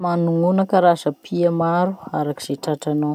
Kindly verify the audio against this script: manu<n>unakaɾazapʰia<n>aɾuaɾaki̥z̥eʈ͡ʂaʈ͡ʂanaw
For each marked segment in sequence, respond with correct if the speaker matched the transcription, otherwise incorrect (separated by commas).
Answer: incorrect, incorrect